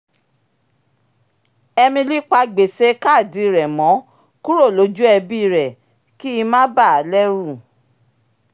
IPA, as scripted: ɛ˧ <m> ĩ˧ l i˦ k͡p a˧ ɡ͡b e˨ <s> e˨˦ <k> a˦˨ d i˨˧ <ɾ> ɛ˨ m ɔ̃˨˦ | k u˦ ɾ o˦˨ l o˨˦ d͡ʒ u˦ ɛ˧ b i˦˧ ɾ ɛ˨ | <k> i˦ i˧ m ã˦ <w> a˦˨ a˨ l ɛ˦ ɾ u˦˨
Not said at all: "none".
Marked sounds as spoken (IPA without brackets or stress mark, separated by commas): m, s, k, ɾ, k, b